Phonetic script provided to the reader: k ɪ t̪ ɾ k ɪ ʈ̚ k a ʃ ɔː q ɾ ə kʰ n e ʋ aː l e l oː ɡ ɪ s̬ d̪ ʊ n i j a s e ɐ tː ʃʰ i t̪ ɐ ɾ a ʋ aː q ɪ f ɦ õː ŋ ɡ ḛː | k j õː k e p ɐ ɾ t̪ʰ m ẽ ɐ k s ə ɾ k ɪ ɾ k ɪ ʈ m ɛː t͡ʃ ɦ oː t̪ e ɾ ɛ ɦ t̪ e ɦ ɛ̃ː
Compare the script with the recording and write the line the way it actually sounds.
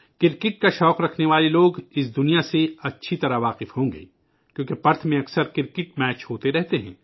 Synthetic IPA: k ɪ ɾ k ɪ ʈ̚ k a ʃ ɔː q ɾ ɐ kʰ n e ʋ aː l e l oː ɡ ɪ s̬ d̪ ʊ n i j a s e ɐ tː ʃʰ i t̪ ɐ ɾ a ʋ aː q ɪ f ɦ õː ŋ ɡ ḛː | k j õː k e p ɐ ɾ t̪ʰ m ẽ ɐ k s ə ɾ k ɪ ɾ k ɪ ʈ m ɛː t͡ʃ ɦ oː t̪ e ɾ ɛ ɦ t̪ e ɦ ɛ̃ː